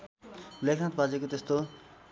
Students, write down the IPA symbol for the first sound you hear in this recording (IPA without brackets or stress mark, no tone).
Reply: l